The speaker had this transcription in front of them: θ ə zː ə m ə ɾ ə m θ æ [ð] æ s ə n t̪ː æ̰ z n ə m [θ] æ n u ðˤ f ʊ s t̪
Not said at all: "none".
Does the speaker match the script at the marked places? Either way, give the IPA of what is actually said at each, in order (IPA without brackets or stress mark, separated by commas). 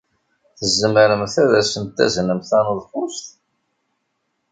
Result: ð, θ